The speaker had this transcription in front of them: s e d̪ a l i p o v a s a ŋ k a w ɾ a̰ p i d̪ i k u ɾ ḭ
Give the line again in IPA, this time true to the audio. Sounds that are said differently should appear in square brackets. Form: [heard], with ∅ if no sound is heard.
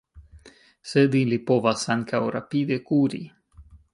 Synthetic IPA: s e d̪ [i] l i p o v a s a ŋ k a w ɾ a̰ p i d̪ [e] k u ɾ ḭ